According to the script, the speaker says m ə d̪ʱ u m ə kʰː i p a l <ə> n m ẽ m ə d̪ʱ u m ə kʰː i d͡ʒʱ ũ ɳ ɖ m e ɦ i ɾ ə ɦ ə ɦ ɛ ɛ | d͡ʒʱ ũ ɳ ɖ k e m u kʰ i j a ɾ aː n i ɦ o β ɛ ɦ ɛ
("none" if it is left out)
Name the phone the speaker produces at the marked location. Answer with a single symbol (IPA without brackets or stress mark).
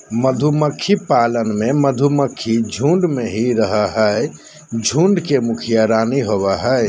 ə